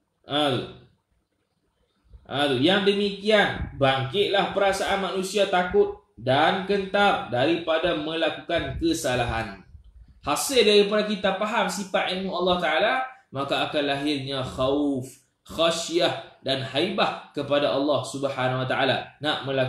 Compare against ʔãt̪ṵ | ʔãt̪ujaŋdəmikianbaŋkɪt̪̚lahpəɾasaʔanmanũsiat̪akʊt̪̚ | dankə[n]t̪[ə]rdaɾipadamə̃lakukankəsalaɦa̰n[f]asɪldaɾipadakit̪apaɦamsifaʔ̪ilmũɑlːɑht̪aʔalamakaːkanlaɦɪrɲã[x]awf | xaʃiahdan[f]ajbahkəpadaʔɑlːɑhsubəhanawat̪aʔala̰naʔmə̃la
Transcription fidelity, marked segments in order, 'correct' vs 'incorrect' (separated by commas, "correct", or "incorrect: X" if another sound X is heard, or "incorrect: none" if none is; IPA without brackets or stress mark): correct, incorrect: a, incorrect: h, correct, incorrect: h